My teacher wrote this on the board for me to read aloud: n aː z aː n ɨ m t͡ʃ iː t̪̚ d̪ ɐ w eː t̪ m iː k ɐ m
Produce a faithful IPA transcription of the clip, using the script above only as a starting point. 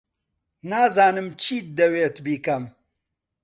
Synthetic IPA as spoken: n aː z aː n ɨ m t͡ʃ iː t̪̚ d̪ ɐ w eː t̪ b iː k ɐ m